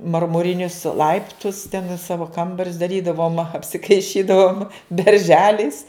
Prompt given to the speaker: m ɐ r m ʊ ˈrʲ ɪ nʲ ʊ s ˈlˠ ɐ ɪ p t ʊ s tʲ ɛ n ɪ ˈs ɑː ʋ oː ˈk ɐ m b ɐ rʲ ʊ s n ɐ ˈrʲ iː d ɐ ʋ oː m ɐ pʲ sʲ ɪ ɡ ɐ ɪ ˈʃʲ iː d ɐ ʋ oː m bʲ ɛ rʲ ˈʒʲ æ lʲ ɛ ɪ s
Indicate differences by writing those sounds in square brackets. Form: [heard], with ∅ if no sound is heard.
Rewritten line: m ɐ r m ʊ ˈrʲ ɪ nʲ ʊ s ˈlˠ ɐ ɪ p t ʊ s tʲ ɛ n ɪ ˈs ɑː ʋ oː ˈk ɐ m b ɐ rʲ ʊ s [d] ɐ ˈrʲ iː d ɐ ʋ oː m ɐ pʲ sʲ ɪ [k] ɐ ɪ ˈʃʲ iː d ɐ ʋ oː m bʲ ɛ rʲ ˈʒʲ [æː] lʲ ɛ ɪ s